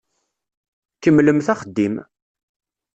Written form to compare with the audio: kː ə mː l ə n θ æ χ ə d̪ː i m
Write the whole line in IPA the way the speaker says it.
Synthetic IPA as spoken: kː ə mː l ə m θ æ χ ə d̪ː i m